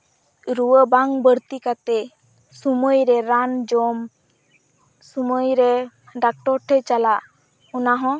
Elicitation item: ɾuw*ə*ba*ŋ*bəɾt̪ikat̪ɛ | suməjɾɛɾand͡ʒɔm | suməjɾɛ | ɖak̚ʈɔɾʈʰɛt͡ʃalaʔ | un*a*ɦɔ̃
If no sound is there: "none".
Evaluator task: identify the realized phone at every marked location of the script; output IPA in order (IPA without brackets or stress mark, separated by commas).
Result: ə, ŋ, a